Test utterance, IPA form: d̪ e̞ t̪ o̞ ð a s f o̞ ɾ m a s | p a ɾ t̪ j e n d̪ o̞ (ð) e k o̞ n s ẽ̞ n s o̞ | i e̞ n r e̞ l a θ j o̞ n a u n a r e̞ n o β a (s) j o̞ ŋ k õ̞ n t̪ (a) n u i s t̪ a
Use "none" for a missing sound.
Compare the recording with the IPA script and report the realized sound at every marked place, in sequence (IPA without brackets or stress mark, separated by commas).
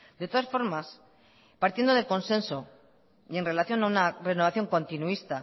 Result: ð, θ, i